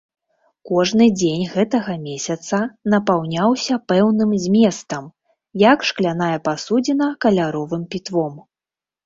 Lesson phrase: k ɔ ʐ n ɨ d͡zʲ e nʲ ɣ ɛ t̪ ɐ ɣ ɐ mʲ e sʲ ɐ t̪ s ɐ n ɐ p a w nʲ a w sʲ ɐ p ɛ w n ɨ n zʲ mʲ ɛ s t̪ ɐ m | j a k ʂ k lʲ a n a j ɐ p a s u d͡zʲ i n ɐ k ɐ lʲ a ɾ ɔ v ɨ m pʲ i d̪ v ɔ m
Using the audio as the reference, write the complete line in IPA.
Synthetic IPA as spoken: k ɔ ʐ n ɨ d͡zʲ e nʲ ɣ ɛ t̪ ɐ ɣ ɐ mʲ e sʲ ɐ t̪ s ɐ n ɐ p a w nʲ a w sʲ ɐ p ɛ w n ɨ m zʲ mʲ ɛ s t̪ ɐ m | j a k ʂ k lʲ a n a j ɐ p a s u d͡zʲ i n ɐ k ɐ lʲ a ɾ ɔ v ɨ m pʲ i t̪ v ɔ m